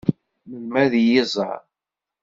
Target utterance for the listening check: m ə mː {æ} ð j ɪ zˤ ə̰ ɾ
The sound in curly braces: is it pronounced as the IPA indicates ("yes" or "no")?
yes